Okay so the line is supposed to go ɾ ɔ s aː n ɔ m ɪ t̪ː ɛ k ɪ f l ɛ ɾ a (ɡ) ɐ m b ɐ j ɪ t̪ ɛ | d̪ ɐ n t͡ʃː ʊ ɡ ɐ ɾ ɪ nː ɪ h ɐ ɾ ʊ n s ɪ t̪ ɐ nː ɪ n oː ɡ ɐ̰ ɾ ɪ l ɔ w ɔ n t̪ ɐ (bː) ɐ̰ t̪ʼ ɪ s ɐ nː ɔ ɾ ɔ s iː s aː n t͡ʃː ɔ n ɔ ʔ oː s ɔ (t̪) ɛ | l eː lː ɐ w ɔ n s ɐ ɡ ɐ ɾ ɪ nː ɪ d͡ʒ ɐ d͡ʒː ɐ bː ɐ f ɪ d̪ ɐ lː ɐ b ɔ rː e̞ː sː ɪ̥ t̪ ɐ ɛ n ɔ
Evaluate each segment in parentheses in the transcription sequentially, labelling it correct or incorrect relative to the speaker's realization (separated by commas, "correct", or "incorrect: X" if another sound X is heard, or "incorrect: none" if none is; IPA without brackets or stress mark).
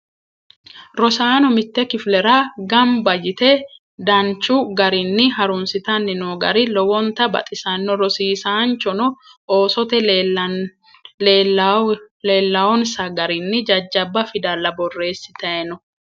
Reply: correct, incorrect: b, correct